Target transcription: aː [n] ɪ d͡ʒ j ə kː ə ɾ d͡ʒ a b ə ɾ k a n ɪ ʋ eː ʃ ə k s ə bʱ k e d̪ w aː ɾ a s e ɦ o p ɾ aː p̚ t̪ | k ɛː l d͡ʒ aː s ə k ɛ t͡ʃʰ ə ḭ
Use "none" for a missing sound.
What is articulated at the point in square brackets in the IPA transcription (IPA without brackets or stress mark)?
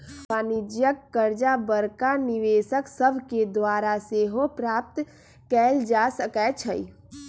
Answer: n